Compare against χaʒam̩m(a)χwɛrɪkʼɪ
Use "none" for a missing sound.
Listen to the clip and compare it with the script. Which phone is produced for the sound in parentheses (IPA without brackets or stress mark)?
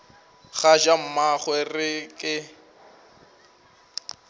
a